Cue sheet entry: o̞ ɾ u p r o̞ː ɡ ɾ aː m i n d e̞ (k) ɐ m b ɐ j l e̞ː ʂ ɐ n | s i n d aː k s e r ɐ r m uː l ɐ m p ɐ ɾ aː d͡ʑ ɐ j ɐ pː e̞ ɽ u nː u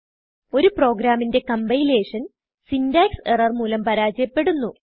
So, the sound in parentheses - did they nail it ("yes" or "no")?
yes